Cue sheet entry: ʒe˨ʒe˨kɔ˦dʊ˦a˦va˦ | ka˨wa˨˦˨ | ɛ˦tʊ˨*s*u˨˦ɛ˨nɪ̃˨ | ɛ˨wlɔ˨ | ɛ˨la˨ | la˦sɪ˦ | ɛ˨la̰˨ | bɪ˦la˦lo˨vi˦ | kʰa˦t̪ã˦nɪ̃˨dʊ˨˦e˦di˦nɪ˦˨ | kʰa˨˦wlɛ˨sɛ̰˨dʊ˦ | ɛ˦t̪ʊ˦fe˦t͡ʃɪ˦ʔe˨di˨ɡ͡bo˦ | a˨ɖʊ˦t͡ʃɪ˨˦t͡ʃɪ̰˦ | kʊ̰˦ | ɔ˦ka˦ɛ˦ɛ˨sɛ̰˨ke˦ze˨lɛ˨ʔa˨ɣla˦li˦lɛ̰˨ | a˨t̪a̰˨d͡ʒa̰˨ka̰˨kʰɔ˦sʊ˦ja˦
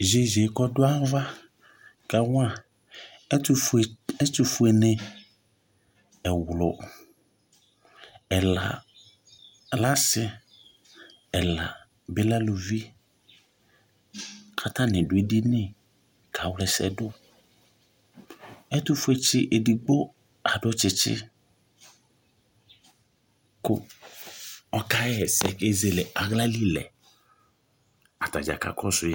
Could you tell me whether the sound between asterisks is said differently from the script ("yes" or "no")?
yes